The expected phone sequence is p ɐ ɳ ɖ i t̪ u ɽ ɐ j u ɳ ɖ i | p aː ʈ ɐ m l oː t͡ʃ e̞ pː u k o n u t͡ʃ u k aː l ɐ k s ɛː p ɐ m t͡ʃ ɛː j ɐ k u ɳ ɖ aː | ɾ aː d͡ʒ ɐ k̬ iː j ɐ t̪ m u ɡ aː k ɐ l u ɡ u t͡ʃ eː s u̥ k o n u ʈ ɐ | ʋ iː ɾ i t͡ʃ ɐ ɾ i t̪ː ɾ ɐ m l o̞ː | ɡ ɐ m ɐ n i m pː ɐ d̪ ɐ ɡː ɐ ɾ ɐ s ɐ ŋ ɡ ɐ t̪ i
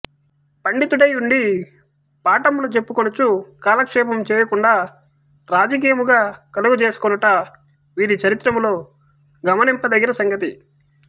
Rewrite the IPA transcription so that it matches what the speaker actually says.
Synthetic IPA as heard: p ɐ ɳ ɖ i t̪ u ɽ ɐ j u ɳ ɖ i | p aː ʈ ɐ m l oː t͡ʃ e̞ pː u k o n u t͡ʃ u k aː l ɐ k ʂ ɛː p ɐ m t͡ʃ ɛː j ɐ k u ɳ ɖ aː | ɾ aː d͡ʒ ɐ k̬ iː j ɐ m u ɡ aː k ɐ l u ɡ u t͡ʃ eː s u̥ k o n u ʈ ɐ | ʋ iː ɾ i t͡ʃ ɐ ɾ i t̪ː ɾ ɐ m l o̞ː | ɡ ɐ m ɐ n i m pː ɐ d̪ ɐ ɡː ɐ ɾ ɐ s ɐ ŋ ɡ ɐ t̪ i